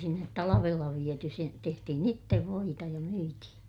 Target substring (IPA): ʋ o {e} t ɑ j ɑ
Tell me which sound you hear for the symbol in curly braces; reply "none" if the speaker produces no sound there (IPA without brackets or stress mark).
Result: i